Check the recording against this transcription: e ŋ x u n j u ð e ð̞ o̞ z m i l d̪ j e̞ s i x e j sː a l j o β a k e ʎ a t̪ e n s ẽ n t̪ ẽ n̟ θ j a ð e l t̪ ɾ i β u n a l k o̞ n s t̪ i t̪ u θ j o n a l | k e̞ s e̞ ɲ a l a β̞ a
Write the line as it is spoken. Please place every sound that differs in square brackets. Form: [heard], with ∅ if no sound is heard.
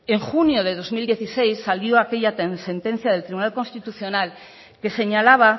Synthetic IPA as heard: e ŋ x u n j [o] ð e ð̞ o̞ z m i l d̪ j e̞ [θ] i [s] e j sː a l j o [∅] a k e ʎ a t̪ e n s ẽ n t̪ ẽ n̟ θ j a ð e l t̪ ɾ i β u n a l k o̞ n s t̪ i t̪ u θ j o n a l | k e̞ s e̞ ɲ a l a β̞ a